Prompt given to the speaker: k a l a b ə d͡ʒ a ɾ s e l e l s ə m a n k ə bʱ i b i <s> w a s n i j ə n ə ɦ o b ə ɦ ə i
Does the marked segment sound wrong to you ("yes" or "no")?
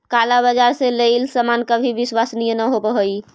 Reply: no